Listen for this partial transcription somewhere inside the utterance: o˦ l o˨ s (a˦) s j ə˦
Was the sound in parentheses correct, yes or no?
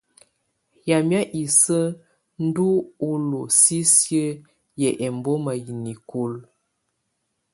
no